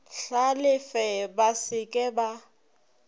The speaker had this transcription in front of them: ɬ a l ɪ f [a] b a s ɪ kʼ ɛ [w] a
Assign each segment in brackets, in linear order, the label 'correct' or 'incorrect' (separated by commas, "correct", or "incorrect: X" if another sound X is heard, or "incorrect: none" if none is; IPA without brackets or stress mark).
incorrect: ɛ, incorrect: b